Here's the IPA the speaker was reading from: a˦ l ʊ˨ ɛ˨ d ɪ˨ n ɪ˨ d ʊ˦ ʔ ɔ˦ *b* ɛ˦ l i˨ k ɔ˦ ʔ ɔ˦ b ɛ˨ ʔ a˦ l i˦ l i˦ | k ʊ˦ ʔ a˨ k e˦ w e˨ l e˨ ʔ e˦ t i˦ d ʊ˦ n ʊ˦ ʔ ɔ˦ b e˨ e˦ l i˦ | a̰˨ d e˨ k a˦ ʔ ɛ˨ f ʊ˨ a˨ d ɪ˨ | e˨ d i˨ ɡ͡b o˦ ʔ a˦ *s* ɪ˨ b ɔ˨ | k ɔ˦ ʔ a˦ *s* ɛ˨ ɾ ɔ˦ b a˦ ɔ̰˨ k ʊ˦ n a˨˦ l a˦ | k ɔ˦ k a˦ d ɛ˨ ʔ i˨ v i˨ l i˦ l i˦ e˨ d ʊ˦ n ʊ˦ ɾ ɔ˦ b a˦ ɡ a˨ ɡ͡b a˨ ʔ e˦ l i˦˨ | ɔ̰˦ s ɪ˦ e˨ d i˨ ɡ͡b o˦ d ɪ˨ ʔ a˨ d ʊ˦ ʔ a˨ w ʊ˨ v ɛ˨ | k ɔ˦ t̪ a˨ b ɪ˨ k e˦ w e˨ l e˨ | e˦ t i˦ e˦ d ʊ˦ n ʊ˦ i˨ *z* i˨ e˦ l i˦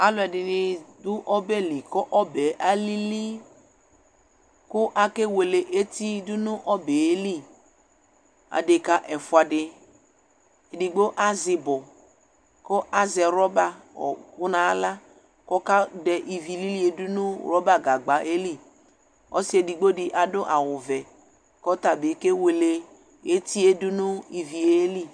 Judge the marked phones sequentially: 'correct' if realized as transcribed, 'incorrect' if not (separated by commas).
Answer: correct, incorrect, incorrect, incorrect